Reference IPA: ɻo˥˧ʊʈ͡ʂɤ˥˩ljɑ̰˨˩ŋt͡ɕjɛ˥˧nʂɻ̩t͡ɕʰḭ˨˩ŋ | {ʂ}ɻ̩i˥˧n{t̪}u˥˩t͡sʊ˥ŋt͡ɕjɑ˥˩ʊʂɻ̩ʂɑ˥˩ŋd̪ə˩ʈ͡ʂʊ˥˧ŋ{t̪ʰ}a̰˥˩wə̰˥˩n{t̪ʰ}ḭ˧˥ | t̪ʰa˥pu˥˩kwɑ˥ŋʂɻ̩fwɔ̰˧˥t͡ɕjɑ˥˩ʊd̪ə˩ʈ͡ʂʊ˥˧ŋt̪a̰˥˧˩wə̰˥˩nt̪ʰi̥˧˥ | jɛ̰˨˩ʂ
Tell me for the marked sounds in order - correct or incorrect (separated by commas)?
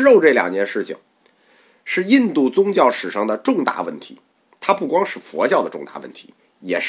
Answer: correct, correct, incorrect, correct